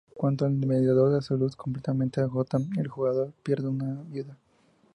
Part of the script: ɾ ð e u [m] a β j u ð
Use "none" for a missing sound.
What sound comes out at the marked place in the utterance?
n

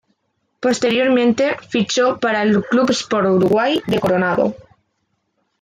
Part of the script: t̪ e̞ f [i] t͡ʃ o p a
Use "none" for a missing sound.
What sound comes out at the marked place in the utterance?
i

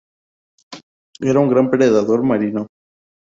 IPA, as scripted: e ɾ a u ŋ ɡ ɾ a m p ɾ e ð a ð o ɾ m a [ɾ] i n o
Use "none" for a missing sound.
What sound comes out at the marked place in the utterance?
ɾ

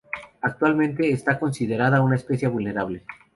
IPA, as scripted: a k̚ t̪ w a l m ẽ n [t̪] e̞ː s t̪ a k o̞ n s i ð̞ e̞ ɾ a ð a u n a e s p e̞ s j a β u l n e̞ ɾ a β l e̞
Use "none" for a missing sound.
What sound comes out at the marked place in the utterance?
t̪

